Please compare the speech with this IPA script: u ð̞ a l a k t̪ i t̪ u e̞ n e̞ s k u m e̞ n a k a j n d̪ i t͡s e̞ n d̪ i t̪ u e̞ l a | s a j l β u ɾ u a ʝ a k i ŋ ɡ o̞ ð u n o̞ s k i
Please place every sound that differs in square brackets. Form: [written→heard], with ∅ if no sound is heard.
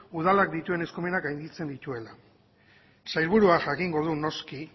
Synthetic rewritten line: u ð̞ a l a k [t̪→d̪] i t̪ u e̞ n e̞ s k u m e̞ n a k a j n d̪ i t͡s e̞ n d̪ i t̪ u e̞ l a | s a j l β u ɾ u a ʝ a k i ŋ ɡ o̞ ð u n o̞ s k i